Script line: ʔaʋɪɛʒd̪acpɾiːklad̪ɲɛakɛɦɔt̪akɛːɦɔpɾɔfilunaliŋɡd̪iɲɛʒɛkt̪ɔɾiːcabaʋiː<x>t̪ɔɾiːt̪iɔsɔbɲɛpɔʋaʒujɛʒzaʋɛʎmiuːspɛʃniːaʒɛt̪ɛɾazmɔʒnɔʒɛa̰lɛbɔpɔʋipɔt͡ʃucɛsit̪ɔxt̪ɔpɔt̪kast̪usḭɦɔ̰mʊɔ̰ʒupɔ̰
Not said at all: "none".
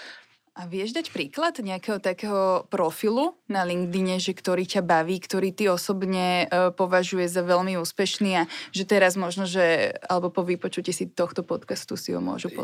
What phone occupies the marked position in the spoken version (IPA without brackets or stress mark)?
k